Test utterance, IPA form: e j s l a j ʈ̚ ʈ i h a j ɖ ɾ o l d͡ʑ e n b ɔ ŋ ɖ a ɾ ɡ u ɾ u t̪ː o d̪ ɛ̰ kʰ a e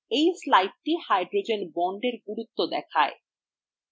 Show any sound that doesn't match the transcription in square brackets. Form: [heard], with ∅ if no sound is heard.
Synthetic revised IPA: e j s l a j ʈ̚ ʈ i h a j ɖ ɾ o [∅] d͡ʑ e n b ɔ [ɳ] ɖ [e] ɾ ɡ u ɾ u t̪ː o d̪ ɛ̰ kʰ a e

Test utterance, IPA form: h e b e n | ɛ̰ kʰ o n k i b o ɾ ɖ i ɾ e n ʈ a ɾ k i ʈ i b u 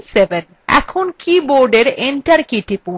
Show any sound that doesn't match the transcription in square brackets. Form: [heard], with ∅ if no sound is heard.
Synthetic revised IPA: [s] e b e n | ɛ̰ kʰ o n k i b o ɾ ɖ [e] ɾ e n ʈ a ɾ k i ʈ i [p] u

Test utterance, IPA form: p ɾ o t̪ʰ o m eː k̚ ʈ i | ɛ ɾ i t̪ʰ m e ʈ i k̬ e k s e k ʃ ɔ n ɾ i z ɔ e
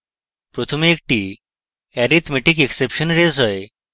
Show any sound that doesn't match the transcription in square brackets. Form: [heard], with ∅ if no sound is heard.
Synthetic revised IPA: p ɾ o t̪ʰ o m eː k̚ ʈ i | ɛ ɾ i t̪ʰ m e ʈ i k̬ e k s e [p] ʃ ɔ n ɾ [e] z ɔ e

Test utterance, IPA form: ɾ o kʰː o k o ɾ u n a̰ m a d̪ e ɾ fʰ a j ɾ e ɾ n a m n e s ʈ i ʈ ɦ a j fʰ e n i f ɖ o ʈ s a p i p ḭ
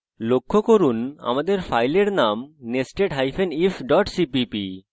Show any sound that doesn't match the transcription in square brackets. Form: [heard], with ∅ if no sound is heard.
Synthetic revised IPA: [l] o kʰː o k o ɾ u n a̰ m a d̪ e ɾ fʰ a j [l] e ɾ n a m n e s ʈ [e] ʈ ɦ a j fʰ e n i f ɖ [ɔ] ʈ s [i] p i p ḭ

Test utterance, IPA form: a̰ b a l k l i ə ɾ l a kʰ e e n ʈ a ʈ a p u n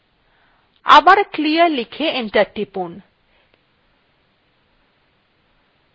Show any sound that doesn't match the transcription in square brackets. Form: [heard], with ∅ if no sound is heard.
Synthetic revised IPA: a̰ b a [ɾ] k l i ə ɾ l [i] kʰ e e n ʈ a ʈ [i] p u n

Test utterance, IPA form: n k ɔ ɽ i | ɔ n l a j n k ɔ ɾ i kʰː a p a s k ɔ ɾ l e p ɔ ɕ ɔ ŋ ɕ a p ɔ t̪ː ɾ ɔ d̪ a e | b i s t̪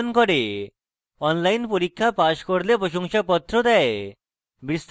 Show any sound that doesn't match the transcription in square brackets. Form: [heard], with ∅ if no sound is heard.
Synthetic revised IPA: n k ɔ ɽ [e] | ɔ n l a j n [p] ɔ ɾ i kʰː a p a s k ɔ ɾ l e p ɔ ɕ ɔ ŋ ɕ a p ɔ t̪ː ɾ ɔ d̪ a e | b i s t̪

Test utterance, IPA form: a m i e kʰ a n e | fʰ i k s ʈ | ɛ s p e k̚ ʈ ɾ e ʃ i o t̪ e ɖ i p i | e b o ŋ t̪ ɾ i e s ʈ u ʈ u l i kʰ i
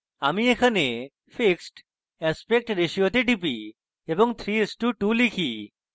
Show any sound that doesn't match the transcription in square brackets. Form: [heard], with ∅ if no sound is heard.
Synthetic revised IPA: a m i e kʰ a n e | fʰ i k s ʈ | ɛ s p e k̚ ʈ ɾ e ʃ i o t̪ e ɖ i p i | e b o ŋ [t̪ʰ] ɾ i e s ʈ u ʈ u l i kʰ i

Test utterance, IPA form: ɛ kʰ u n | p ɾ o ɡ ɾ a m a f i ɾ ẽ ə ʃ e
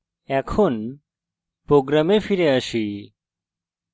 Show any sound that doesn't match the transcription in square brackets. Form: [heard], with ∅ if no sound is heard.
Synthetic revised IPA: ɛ kʰ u n | p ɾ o ɡ ɾ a m [e] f i ɾ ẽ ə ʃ [i]

